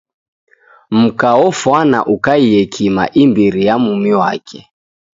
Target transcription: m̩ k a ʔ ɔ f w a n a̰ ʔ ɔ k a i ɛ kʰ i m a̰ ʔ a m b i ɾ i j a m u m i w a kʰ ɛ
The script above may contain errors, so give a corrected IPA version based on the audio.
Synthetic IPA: m̩ k a ɔ f w a n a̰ ʔ u k a i ɛ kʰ i m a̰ ʔ i m b i ɾ i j a m u m i w a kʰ ɛ